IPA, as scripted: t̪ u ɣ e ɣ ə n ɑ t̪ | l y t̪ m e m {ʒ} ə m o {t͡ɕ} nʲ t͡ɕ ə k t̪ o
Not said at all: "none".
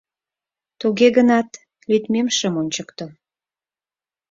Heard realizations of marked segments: ʃ, none

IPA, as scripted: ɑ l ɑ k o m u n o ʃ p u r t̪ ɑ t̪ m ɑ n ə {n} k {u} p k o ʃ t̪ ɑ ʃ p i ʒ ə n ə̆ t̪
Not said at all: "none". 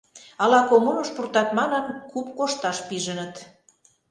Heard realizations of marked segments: n, u

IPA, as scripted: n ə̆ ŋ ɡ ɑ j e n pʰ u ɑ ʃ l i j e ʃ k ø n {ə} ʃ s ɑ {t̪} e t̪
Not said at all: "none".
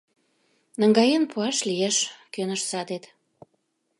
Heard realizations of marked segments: ə, d̪

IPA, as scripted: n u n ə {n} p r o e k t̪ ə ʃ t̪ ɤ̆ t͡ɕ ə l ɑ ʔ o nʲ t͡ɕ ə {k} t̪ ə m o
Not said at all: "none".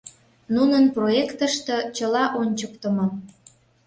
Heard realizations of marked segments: n, k

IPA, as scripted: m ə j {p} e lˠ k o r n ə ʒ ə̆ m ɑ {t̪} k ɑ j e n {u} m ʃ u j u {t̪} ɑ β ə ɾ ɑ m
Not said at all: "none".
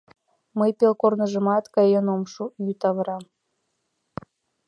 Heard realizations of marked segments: p, t̪, o, t̪

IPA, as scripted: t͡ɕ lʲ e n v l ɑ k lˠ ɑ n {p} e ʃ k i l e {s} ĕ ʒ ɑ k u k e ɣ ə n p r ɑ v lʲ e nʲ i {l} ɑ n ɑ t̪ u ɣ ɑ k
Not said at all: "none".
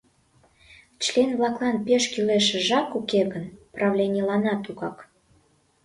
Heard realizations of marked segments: p, ʃ, l

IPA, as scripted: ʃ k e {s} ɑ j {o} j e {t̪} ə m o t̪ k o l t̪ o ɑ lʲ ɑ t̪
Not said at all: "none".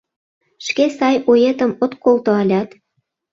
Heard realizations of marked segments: s, o, t̪

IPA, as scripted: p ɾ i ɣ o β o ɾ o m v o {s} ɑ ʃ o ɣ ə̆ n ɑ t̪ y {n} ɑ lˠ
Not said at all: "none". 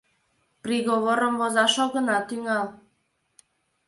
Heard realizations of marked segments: z, ŋ

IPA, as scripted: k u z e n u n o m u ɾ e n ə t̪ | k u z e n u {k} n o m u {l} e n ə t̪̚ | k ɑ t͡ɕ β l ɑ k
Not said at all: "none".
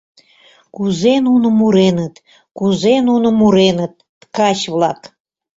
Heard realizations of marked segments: none, ɾ

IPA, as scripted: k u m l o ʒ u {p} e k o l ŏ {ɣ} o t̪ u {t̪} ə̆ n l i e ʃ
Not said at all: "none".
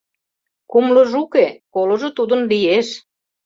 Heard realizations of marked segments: k, ʒ, d̪

